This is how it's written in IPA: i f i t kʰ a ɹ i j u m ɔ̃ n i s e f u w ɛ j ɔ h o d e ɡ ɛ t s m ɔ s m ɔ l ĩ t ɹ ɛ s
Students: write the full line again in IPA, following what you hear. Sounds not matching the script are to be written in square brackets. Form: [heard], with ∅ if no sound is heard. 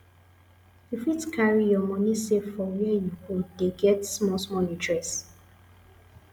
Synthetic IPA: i f i t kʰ a ɹ i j [ɔ] m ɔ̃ n i s e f [ɔ] w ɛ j [u] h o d e ɡ ɛ t s m ɔ s m ɔ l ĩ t ɹ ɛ s